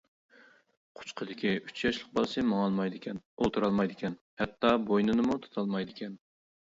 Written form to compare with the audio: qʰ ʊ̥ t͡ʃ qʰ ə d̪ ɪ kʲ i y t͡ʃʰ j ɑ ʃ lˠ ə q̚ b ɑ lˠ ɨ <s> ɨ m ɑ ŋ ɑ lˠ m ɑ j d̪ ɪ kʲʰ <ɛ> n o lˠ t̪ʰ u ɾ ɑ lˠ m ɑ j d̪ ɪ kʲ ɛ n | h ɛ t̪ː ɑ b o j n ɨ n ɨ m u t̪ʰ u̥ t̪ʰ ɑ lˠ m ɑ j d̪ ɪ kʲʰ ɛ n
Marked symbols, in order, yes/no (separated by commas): yes, yes